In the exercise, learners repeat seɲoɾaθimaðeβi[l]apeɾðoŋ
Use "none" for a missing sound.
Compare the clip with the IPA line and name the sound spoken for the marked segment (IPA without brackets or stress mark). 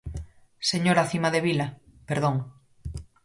l